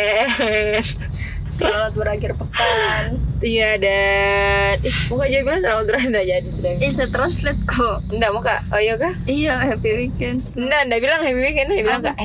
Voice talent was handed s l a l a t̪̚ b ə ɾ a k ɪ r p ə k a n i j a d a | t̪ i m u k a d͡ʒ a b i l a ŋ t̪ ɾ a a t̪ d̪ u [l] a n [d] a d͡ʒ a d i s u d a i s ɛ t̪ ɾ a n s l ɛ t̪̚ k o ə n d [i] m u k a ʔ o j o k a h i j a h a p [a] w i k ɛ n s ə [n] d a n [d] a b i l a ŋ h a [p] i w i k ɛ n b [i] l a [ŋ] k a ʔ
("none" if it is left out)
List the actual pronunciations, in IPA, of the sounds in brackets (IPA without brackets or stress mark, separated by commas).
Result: ɾ, d, a, i, n, d, p, i, ŋ